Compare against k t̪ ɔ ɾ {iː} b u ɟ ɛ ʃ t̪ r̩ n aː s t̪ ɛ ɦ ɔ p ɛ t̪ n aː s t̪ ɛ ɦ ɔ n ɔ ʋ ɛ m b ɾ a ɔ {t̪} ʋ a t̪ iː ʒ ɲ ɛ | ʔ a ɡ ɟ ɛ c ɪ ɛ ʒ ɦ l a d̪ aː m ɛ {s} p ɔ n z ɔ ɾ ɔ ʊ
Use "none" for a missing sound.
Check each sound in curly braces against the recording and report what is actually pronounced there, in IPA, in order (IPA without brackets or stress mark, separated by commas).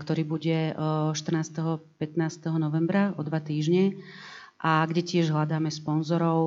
iː, d̪, s